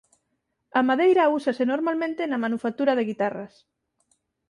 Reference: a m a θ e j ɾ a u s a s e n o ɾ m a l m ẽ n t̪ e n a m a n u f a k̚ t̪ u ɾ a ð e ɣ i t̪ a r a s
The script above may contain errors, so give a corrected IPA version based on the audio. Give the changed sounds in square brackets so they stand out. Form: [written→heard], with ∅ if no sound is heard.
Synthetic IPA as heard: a m a [θ→ð] e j ɾ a u s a s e n o ɾ m a l m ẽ n t̪ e n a m a n u f a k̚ t̪ u ɾ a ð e ɣ i t̪ a r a s